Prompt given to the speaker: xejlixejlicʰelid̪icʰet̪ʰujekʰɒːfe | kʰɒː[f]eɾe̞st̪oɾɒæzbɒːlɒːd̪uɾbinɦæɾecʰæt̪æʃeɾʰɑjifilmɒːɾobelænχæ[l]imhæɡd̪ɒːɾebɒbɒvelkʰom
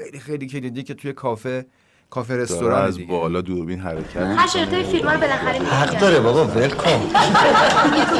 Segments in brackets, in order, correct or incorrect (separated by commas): correct, incorrect